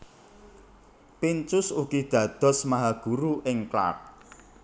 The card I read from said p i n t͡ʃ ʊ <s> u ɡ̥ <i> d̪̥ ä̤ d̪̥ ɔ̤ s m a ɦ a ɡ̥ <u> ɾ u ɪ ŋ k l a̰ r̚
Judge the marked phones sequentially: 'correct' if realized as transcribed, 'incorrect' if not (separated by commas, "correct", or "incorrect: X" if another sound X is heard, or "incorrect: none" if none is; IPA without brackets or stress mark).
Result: correct, correct, correct